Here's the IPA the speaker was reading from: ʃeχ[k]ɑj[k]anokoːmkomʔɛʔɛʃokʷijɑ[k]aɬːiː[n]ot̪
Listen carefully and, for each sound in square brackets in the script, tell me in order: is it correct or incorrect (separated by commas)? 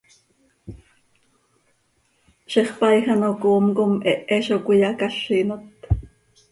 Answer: incorrect, incorrect, correct, correct